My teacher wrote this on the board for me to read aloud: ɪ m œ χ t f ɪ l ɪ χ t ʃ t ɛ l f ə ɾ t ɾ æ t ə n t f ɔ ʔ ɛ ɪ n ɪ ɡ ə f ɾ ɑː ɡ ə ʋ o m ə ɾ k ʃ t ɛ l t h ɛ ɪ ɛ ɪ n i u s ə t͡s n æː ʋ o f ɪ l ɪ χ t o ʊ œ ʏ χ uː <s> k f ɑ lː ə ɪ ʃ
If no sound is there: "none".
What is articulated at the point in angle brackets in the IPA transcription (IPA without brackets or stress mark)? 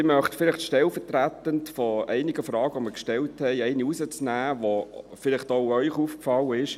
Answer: f